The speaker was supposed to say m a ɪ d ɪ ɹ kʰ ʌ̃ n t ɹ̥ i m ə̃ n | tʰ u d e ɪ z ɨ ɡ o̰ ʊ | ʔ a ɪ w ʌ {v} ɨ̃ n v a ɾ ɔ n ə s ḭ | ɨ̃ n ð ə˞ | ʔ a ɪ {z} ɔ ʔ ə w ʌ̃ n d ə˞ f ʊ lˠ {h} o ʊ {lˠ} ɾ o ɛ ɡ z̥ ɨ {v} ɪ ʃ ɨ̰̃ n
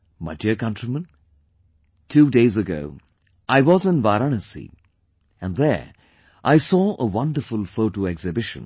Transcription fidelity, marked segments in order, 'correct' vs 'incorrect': incorrect: z, incorrect: s, incorrect: f, incorrect: none, incorrect: b

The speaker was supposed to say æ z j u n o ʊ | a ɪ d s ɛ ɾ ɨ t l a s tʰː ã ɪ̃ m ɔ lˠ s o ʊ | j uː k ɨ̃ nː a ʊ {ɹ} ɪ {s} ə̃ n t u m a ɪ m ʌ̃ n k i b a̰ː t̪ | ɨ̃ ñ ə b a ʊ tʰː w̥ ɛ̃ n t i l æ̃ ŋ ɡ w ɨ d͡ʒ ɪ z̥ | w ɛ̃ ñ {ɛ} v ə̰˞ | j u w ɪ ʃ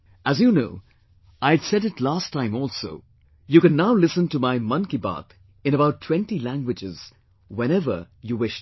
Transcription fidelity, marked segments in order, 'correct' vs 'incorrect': incorrect: l, correct, correct

